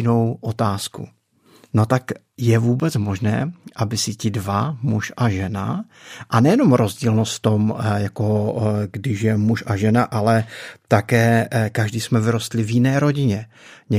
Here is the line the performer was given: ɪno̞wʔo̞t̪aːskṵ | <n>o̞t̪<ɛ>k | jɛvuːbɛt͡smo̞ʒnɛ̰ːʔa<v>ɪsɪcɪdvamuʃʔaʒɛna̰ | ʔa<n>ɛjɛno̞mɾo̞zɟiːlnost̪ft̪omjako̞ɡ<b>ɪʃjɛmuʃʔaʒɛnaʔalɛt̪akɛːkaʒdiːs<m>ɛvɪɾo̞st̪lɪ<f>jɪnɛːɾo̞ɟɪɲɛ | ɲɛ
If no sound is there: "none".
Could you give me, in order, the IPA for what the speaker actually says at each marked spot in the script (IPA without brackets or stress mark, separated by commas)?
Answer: n, a, b, n, d, m, v